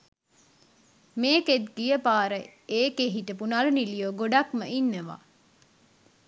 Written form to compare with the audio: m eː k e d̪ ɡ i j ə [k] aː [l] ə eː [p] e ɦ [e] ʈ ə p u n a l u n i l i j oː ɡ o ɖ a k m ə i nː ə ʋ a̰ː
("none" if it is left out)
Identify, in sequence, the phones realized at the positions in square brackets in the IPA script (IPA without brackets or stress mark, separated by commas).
p, ɾ, k, i